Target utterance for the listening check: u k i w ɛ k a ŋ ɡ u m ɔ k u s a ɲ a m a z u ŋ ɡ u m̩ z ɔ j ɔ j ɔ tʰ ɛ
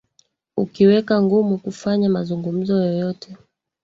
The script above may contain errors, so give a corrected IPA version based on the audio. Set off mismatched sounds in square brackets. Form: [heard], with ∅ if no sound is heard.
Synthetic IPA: u k i w ɛ k a ŋ ɡ u m [u] k u [f] a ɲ a m a z u ŋ ɡ u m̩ z ɔ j ɔ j ɔ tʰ ɛ